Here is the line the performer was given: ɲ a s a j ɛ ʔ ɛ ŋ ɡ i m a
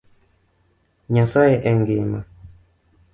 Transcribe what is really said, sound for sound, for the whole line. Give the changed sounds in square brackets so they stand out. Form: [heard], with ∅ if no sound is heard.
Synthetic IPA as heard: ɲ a s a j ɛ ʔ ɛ ŋ ɡ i m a